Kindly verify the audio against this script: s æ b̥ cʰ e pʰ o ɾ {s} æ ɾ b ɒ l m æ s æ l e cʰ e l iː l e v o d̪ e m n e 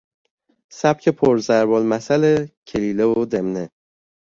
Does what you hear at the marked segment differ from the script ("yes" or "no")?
yes